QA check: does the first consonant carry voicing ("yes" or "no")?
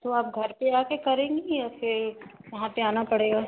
no